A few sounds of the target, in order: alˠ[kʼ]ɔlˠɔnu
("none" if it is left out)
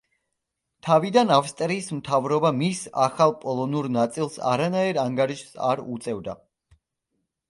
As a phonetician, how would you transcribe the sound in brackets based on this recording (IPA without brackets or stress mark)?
pʼ